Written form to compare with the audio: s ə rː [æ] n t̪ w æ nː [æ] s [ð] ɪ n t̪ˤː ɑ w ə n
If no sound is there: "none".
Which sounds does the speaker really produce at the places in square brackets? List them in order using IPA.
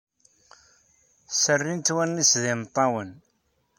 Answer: i, i, ð

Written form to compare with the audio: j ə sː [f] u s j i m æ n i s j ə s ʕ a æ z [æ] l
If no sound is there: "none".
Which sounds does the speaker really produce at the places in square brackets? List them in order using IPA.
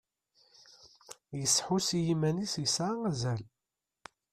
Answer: ħ, æ

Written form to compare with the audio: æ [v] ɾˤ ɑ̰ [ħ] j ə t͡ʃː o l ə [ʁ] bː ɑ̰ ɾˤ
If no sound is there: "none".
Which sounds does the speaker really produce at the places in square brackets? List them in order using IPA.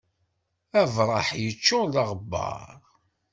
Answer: v, ħ, ʁ

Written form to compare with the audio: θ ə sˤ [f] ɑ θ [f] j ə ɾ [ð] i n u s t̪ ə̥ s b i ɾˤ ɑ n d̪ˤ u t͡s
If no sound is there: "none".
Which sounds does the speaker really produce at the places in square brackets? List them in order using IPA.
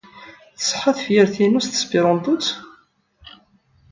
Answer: ħ, f, θ

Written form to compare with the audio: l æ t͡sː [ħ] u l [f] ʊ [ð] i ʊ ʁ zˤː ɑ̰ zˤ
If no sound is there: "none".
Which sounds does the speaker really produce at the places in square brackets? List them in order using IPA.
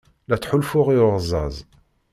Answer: ħ, f, ʁ

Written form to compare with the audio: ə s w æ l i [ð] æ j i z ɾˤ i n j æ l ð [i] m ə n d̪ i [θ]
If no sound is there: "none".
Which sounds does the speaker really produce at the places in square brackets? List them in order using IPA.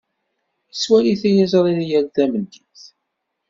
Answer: θ, æ, θ

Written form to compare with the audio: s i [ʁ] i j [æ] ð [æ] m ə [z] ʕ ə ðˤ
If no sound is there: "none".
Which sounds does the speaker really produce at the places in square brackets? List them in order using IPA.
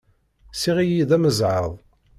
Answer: ʁ, i, æ, z

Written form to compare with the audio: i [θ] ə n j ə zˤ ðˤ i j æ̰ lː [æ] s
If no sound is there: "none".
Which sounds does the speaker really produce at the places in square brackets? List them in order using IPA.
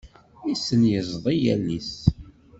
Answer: s, i

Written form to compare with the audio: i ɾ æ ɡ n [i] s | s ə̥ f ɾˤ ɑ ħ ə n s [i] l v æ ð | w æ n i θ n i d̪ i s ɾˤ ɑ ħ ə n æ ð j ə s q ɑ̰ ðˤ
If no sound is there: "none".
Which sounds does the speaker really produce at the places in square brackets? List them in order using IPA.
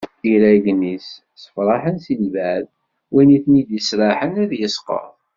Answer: i, i

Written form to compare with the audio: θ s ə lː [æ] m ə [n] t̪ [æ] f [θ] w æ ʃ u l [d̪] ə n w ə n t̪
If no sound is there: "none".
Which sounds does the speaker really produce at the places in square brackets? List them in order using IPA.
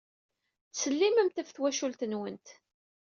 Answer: i, m, æ, θ, t̪

